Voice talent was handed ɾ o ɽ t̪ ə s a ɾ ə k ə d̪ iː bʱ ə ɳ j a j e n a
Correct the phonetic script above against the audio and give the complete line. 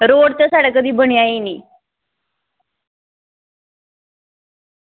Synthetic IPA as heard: ɾ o ɽ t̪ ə s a ɽ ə k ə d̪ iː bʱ ə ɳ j a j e n i